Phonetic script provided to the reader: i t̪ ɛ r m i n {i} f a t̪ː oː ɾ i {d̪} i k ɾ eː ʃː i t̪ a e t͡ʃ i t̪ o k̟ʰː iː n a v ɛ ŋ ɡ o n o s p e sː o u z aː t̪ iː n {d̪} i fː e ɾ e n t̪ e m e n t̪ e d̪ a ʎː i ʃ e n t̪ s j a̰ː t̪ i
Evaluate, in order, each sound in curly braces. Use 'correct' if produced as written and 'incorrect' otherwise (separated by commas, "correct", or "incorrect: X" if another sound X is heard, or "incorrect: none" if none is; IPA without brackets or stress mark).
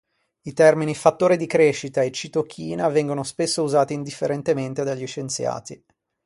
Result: correct, correct, correct